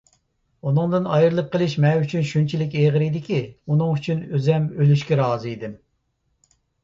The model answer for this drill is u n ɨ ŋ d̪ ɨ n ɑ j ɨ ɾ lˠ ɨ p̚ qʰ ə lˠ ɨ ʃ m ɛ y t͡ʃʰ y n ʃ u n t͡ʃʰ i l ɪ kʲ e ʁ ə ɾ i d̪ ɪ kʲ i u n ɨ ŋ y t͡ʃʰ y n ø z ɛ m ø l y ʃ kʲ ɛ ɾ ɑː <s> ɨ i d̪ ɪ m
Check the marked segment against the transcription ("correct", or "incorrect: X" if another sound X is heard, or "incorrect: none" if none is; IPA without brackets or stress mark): incorrect: z